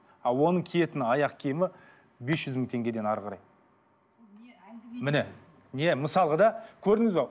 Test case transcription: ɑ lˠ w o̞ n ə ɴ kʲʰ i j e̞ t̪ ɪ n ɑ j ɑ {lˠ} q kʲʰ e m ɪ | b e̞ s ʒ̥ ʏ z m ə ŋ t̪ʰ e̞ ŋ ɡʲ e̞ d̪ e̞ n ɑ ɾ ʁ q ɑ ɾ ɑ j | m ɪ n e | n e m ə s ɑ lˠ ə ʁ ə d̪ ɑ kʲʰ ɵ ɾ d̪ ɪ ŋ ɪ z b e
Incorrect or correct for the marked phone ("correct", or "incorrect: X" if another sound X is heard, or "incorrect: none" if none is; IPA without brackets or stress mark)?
incorrect: none